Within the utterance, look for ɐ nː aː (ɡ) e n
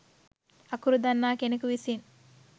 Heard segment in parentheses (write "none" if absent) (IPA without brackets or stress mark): k